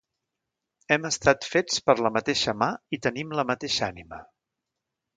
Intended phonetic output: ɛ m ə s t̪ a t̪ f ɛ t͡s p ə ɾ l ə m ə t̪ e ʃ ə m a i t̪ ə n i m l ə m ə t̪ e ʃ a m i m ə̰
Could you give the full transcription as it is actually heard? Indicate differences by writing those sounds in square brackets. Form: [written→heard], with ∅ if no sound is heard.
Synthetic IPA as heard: ɛ m ə s t̪ a t̪ f [ɛ→e] t͡s p ə ɾ l ə m ə t̪ e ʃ ə m a i t̪ ə n i m l ə m ə t̪ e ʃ a [m→n] i m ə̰